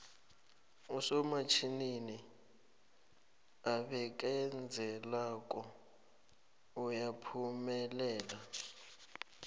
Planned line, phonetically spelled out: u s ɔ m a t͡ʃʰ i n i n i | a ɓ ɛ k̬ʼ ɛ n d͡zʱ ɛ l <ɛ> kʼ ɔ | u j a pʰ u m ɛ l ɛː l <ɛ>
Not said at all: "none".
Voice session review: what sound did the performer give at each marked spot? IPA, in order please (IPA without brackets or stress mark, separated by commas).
a, a